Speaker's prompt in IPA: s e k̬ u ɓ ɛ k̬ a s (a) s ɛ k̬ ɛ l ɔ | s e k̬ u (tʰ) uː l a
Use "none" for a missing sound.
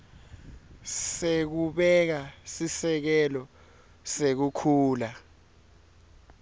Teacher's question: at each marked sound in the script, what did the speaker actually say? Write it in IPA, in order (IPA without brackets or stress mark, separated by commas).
i, kʰ